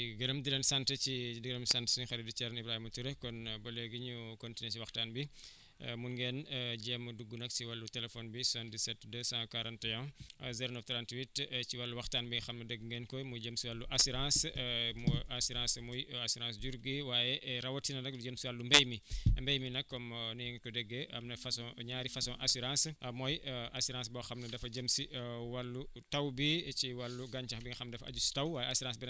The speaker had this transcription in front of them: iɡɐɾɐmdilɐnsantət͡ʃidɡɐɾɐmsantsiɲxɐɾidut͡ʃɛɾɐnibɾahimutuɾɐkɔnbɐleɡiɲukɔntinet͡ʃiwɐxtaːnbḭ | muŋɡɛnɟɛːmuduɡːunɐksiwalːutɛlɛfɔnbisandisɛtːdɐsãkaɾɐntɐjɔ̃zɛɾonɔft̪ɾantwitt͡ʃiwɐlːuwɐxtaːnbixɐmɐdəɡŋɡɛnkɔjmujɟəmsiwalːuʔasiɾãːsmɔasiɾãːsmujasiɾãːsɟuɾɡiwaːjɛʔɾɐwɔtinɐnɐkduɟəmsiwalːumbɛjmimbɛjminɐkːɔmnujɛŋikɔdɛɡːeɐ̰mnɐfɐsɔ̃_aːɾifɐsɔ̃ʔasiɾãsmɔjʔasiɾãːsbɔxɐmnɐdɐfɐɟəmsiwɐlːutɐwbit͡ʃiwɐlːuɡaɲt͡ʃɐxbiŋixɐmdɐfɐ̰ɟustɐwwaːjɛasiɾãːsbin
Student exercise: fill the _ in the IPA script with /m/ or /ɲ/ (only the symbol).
ɲ